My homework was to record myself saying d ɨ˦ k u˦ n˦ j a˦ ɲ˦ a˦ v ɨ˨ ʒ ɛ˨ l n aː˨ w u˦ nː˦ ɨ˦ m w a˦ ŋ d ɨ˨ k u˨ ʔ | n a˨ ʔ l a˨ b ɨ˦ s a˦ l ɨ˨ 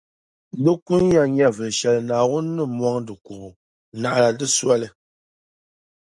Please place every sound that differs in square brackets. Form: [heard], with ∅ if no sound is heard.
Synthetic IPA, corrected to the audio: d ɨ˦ k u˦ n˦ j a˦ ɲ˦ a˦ v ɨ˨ [ʃ] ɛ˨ l n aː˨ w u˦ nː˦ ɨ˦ m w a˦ ŋ d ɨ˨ k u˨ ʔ | n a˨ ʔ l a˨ [d] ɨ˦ s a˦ l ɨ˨